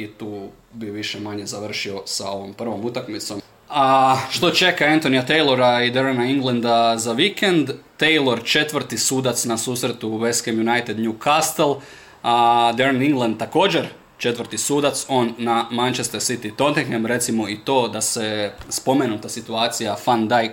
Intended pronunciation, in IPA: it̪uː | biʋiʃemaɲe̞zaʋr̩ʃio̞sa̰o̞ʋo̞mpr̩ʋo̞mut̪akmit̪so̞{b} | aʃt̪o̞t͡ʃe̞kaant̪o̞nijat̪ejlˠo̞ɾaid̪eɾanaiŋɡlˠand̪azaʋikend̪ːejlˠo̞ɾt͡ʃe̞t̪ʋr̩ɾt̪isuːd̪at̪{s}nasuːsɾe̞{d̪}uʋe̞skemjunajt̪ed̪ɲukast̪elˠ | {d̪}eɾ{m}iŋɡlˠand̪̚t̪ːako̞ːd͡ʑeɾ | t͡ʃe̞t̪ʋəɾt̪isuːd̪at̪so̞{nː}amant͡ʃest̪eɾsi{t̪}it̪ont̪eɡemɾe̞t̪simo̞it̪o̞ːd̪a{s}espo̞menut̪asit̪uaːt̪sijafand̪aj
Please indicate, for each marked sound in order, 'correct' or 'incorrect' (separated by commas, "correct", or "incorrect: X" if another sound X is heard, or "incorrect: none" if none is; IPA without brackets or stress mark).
incorrect: m, correct, incorrect: t̪, correct, incorrect: n, correct, correct, correct